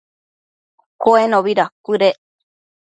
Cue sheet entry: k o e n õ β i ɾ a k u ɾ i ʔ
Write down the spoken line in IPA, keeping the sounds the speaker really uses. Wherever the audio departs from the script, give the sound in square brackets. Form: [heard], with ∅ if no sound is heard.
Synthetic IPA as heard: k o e n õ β i ɾ a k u ɾ [e] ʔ